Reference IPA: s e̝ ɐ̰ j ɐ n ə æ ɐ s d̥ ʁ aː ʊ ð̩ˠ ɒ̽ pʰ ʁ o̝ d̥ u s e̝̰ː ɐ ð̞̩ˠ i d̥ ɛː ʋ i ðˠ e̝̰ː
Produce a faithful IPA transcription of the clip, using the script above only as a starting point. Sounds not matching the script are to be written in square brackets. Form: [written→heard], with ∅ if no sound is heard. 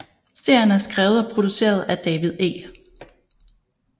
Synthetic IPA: s e̝ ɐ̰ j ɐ n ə æ ɐ s [d̥→ɡ̥] ʁ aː ʊ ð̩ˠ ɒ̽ pʰ ʁ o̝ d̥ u s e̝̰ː ɐ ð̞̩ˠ [i→æ] d̥ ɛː ʋ i ðˠ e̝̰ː